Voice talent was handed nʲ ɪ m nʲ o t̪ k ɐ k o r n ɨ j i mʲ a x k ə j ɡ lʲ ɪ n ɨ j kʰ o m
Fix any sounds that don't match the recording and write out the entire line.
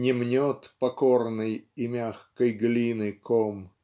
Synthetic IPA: nʲ ɪ m nʲ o t̪ p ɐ k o r n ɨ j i mʲ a x k ə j ɡ lʲ i n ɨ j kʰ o m